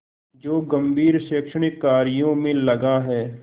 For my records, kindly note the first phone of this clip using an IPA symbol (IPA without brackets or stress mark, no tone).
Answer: d͡ʒ